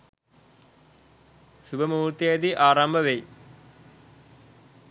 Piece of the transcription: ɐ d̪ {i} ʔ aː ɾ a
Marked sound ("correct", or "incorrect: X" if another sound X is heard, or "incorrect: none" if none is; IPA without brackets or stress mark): correct